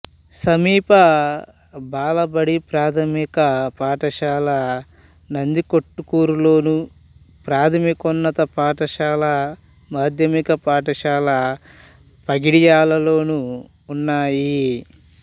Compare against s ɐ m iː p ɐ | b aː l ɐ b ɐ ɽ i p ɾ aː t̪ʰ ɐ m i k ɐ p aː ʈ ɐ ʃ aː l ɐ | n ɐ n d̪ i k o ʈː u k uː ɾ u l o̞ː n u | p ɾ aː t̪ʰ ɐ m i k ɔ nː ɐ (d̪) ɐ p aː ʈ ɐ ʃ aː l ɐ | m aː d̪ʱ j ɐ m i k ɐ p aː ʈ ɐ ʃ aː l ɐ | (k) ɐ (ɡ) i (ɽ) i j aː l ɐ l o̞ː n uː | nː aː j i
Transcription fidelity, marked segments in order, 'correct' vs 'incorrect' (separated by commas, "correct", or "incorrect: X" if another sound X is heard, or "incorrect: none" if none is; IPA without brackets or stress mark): incorrect: t̪, incorrect: p, correct, correct